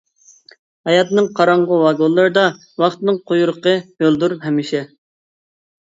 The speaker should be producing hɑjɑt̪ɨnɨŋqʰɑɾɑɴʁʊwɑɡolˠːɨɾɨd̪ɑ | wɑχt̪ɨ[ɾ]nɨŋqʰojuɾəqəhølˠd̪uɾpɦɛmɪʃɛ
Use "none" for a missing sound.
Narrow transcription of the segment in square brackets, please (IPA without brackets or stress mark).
none